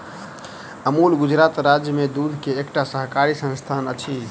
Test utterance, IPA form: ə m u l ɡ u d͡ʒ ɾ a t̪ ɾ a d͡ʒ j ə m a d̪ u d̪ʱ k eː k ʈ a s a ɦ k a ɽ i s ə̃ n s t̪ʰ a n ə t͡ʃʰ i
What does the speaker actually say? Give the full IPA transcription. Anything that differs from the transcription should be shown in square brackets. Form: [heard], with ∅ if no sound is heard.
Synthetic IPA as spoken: ə m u l ɡ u d͡ʒ ɾ a t̪ ɾ a d͡ʒ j ə m [e] d̪ u d̪ʱ k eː k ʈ a s [ə] ɦ k a [ɾ] i s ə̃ n s t̪ʰ a n ə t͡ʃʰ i